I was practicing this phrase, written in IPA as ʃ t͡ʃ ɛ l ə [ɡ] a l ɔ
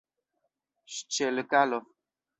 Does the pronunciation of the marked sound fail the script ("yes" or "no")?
yes